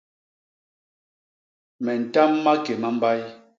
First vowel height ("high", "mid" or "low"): mid